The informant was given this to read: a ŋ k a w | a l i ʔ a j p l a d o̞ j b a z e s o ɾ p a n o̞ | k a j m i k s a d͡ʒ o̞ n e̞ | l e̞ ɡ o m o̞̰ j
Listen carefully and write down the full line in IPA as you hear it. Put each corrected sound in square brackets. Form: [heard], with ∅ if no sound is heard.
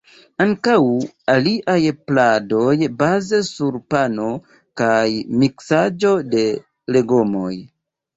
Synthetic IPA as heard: a ŋ k a w | a l i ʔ a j p l a d o̞ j b a z e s [u] ɾ p a n o̞ | k a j m i k s a d͡ʒ o̞ [d] e̞ | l e̞ ɡ o m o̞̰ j